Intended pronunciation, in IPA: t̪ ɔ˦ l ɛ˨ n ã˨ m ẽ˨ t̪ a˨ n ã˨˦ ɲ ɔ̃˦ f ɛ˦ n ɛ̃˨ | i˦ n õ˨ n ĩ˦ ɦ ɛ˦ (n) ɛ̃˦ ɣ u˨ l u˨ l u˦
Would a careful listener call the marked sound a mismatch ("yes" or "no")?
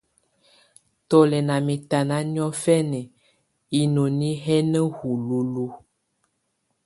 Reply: no